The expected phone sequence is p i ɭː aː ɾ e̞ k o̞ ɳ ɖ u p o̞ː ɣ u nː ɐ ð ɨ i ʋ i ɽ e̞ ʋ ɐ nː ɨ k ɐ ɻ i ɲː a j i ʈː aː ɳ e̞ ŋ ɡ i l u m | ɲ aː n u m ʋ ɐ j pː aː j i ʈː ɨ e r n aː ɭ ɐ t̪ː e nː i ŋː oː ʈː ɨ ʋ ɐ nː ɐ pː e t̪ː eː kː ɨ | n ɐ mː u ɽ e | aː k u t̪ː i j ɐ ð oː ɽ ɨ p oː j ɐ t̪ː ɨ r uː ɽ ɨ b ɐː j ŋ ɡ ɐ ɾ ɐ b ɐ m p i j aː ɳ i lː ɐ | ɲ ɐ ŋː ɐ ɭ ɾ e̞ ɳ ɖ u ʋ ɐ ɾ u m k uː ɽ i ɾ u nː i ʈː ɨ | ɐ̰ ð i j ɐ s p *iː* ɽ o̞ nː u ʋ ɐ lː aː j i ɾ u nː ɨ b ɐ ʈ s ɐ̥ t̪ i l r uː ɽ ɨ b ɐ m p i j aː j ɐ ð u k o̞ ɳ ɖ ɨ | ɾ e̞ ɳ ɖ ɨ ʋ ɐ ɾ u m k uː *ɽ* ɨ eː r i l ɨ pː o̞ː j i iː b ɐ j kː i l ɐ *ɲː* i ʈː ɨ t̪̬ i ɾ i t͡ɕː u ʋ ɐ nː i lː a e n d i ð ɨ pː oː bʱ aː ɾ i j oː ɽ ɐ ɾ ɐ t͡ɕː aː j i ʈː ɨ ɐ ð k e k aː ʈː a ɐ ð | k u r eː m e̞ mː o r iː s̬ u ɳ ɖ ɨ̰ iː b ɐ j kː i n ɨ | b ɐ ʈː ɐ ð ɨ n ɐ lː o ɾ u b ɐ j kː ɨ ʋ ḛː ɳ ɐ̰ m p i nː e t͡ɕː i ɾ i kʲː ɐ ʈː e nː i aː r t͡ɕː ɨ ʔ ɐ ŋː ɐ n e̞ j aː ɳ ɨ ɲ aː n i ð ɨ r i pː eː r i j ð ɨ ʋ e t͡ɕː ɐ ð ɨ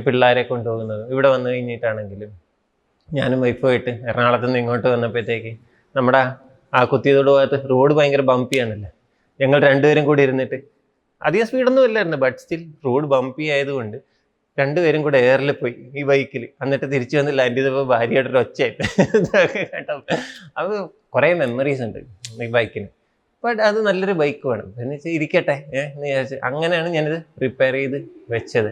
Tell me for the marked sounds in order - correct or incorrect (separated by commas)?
correct, correct, incorrect